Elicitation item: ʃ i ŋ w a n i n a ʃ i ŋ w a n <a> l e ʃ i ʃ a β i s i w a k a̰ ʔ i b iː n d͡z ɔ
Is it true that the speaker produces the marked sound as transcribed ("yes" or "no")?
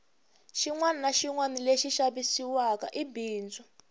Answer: no